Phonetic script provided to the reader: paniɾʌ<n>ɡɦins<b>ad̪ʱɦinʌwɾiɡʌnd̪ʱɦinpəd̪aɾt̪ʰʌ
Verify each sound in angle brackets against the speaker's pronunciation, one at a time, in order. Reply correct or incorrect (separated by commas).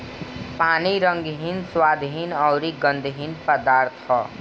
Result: incorrect, incorrect